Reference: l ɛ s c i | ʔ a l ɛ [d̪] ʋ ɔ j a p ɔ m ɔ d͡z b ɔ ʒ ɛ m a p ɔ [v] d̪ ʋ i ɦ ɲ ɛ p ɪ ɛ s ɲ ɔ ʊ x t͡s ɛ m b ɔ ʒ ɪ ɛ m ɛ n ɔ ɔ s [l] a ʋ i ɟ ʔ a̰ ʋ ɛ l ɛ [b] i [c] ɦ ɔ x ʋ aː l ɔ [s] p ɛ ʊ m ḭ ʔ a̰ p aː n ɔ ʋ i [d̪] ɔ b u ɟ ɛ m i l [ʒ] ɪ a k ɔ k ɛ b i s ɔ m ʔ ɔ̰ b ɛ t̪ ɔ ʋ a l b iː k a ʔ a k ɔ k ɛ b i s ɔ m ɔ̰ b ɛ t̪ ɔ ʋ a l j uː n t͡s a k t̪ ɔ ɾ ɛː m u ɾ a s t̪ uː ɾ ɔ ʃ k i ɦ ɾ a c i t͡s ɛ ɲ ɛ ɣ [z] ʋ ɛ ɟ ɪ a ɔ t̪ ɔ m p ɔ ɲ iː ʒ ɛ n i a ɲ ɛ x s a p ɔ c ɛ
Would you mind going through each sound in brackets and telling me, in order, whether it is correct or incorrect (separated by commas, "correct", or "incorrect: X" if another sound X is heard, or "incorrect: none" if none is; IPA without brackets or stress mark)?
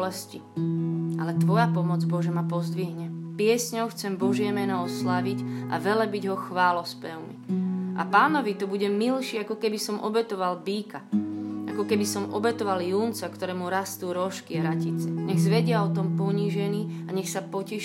incorrect: t̪, incorrect: z, correct, correct, incorrect: ɟ, correct, incorrect: t̪, incorrect: ʃ, correct